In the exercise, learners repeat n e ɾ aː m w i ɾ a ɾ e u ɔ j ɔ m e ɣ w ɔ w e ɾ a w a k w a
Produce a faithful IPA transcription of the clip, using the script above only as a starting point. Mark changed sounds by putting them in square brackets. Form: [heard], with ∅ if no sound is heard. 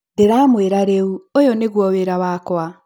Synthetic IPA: [d] e ɾ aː m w [e] ɾ a ɾ e u [o] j ɔ [n] e ɣ w ɔ w e ɾ a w a k w a